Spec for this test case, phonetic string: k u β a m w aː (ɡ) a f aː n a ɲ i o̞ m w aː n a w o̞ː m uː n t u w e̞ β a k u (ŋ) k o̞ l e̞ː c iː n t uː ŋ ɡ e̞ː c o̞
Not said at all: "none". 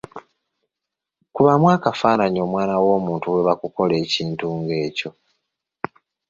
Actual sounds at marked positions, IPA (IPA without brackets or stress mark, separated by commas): k, none